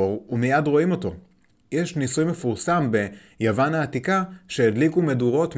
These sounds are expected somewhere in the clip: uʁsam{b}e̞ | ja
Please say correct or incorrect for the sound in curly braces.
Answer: correct